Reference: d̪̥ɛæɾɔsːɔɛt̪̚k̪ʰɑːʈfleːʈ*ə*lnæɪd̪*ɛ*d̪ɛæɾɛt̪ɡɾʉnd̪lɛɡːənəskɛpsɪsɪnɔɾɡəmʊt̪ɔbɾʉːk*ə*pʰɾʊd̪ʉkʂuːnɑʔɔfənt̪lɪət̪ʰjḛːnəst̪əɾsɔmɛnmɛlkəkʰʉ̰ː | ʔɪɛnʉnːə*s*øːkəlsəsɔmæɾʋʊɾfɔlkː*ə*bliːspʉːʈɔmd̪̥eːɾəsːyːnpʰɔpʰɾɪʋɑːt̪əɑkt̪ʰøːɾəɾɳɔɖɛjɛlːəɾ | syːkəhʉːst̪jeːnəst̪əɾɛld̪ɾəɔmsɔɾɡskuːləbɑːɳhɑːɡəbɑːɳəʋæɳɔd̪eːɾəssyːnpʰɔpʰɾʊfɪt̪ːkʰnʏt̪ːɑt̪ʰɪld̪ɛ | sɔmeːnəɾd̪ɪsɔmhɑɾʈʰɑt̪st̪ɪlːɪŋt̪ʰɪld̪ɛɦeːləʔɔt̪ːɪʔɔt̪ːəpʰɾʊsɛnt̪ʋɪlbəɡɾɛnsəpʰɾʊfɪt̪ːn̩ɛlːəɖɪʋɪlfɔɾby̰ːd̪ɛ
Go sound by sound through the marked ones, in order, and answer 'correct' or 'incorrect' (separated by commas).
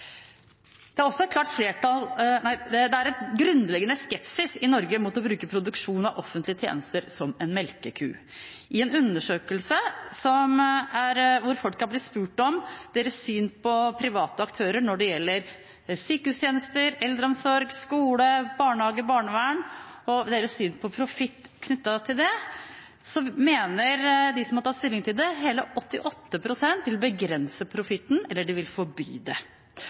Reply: incorrect, correct, correct, incorrect, incorrect